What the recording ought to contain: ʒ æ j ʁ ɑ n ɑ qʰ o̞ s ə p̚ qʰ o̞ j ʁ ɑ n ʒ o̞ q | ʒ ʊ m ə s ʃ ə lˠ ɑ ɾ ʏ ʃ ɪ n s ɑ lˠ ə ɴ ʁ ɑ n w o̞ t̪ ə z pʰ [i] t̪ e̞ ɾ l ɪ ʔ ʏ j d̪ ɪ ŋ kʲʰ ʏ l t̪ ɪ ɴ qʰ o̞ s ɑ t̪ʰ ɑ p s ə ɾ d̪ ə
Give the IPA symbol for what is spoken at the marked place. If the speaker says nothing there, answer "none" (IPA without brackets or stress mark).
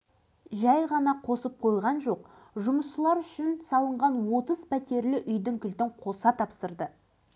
æ